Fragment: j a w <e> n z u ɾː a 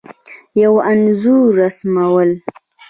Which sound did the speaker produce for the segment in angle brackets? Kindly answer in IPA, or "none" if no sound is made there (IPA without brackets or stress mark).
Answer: a